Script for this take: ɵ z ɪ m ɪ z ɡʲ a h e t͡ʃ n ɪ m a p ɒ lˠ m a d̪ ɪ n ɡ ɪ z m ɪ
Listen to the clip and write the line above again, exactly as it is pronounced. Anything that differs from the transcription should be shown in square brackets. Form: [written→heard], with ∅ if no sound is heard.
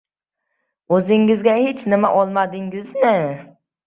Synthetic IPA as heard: ɵ z ɪ [m→ŋ] ɪ z ɡʲ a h e t͡ʃ n ɪ m a [p→ʔ] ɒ lˠ m a d̪ ɪ [n→ŋ] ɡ ɪ z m ɪ